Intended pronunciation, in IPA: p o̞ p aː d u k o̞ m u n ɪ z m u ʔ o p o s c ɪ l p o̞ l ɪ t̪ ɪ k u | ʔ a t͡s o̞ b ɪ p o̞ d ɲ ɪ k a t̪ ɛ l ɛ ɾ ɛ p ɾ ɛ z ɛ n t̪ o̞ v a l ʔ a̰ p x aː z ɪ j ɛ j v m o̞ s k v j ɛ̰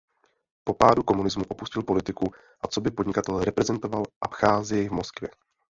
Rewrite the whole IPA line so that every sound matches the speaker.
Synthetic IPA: p o̞ p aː d u k o̞ m u n ɪ z m u ʔ o p u s c ɪ l p o̞ l ɪ t̪ ɪ k u | ʔ a t͡s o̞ b ɪ p o̞ d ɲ ɪ k a t̪ ɛ l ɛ ɾ ɛ p ɾ ɛ z ɛ n t̪ o̞ v a l ʔ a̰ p x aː z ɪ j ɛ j v m o̞ s k v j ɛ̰